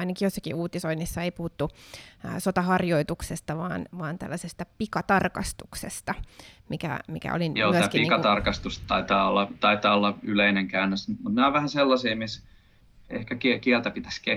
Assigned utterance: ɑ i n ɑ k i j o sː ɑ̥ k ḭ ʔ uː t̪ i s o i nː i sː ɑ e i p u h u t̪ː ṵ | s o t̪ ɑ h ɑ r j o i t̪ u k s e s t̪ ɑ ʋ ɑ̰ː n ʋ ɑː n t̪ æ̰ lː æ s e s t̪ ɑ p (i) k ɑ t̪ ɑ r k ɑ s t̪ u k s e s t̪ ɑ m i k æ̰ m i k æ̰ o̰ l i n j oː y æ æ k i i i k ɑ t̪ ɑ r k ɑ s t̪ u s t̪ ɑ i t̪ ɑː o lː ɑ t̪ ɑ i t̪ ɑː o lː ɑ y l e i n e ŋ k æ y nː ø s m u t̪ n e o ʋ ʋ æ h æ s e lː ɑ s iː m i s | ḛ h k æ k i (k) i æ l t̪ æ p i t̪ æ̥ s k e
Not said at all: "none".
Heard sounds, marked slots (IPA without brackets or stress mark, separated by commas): i, k